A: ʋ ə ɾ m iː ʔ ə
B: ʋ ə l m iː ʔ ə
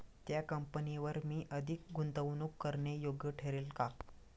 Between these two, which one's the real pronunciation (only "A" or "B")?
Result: A